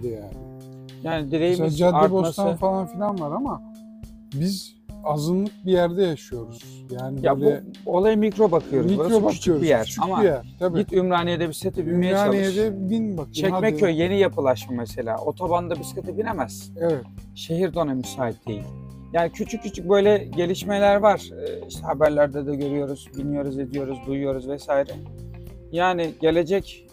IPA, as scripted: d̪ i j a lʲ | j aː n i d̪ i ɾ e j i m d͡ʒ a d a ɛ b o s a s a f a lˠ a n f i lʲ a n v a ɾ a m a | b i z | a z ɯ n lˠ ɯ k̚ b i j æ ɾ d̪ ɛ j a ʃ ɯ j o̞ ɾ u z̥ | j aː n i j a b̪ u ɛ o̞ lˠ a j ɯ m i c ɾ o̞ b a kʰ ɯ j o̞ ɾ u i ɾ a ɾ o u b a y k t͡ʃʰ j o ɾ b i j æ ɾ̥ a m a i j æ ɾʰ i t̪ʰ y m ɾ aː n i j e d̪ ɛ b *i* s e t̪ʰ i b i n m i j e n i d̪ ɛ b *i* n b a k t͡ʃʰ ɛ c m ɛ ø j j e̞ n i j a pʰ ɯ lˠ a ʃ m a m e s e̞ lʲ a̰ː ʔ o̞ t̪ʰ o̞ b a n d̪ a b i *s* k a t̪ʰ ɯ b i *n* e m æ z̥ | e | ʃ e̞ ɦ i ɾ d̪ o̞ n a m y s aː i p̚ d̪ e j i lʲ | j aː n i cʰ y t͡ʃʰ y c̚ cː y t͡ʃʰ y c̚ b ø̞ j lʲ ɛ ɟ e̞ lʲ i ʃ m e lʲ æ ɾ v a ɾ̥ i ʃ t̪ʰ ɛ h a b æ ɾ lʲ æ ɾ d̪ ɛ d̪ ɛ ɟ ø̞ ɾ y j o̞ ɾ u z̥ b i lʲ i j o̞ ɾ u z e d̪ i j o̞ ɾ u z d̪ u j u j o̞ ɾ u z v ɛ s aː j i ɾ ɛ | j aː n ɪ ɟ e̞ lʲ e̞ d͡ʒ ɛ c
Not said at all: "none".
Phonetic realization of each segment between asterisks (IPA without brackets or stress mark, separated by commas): i, i, s, n